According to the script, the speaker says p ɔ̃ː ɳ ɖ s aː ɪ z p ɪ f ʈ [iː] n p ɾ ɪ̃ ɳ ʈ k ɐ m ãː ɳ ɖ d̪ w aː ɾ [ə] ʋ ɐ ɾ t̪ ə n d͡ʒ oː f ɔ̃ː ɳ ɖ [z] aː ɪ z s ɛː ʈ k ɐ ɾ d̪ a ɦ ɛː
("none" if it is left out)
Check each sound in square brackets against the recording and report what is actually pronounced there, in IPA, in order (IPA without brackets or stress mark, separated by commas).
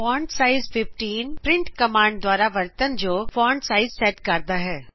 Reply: iː, a, s